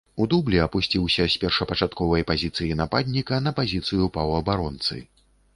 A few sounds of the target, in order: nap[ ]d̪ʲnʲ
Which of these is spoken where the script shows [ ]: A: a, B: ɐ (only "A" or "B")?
A